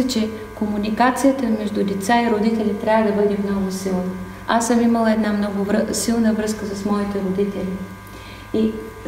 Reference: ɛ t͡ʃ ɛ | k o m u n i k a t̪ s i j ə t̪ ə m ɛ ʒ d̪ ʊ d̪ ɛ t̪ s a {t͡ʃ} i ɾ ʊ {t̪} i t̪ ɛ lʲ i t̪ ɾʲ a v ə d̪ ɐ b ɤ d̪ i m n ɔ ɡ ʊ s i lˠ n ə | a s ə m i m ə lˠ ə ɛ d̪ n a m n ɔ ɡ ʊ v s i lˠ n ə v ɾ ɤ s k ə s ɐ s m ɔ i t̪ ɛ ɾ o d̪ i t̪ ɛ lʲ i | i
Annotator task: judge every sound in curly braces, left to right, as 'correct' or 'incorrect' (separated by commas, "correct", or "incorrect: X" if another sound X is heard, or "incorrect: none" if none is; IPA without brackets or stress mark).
incorrect: none, incorrect: d̪